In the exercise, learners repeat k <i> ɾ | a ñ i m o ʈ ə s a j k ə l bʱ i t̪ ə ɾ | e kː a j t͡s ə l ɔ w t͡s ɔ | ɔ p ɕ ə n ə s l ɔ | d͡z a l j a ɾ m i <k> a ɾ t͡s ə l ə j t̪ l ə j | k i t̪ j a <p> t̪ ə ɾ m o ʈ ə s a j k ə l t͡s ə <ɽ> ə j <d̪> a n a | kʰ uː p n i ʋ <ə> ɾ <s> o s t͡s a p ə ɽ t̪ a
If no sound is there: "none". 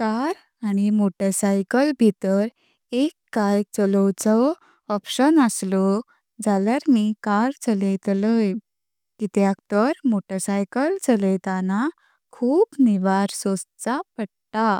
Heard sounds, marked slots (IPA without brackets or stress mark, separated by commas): a, k, k, l, t̪, a, s